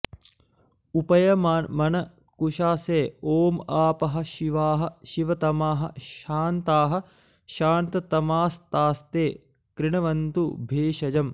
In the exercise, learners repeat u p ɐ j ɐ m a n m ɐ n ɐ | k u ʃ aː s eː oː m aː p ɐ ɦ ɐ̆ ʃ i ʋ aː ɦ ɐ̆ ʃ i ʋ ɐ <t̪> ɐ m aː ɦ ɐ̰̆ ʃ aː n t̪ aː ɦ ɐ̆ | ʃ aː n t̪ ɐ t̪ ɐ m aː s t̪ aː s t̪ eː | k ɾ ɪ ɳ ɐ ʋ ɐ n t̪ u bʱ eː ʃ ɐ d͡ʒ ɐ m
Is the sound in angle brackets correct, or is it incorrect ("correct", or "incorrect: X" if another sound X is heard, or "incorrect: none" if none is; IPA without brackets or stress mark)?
correct